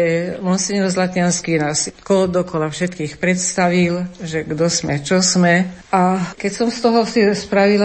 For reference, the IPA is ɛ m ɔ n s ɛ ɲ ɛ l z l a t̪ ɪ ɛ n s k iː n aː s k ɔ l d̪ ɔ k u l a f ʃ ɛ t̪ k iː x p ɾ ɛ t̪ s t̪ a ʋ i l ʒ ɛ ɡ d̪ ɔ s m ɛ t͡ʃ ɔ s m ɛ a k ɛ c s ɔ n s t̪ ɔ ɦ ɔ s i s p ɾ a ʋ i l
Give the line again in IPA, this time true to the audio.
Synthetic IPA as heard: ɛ m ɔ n s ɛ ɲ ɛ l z l a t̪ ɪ a n s k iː n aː s k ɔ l d̪ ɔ k ɔ l a f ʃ ɛ t̪ k iː x p ɾ ɛ t̪ s t̪ a ʋ i l ʒ ɛ ɡ d̪ ɔ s m ɛ t͡ʃ ɔ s m ɛ a k ɛ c s ɔ m s t̪ ɔ ɦ ɔ s i s p ɾ a ʋ i l